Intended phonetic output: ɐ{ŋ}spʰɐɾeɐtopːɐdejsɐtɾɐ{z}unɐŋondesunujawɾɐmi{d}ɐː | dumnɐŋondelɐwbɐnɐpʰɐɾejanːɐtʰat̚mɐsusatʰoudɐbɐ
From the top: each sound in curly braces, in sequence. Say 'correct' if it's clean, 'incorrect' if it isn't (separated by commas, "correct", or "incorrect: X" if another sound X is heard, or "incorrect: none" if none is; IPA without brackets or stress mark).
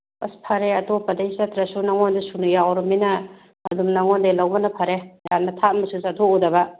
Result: incorrect: none, incorrect: s, incorrect: n